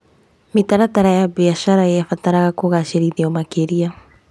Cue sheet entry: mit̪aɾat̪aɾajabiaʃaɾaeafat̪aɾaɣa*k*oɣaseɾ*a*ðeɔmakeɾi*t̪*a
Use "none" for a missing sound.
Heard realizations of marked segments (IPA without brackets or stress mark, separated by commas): k, i, none